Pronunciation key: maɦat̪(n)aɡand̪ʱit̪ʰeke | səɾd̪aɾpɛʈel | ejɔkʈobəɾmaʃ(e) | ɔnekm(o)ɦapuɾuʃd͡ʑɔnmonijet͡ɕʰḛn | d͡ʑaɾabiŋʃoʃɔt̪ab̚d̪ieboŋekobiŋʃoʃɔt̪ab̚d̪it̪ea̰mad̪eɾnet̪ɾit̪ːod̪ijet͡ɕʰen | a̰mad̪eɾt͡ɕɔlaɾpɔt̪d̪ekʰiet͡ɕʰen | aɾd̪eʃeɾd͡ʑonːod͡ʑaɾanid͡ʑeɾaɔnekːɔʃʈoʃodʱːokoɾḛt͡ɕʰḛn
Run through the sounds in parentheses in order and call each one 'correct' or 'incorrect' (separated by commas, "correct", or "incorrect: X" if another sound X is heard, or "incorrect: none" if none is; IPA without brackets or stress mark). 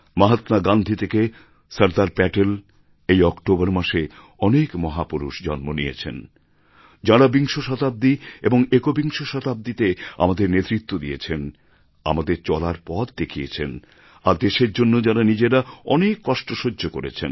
correct, correct, incorrect: ɔ